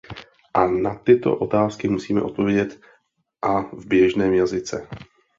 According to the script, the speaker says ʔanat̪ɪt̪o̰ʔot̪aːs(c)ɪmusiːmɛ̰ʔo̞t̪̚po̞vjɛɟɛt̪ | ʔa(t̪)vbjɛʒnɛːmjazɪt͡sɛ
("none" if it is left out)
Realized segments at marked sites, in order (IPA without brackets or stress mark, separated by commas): k, none